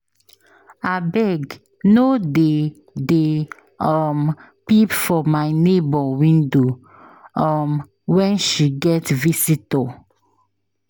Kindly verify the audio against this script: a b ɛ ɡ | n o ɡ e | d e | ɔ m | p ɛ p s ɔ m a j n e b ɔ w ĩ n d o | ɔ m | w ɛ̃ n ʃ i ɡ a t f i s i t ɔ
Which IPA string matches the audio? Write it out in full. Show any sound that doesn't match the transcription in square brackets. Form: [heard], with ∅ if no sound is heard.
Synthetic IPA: a b ɛ ɡ | n o [d] e | d e | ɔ m | p [i] p [f] ɔ m a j n e b ɔ w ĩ n d o | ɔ m | w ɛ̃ n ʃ i ɡ [ɛ] t [v] i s i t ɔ